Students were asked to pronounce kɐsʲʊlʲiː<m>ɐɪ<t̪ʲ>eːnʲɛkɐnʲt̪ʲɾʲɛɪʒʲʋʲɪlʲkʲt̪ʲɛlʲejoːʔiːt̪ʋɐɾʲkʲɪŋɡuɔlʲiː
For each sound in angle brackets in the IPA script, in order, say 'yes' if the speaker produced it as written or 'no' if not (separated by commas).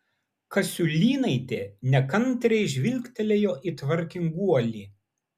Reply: no, yes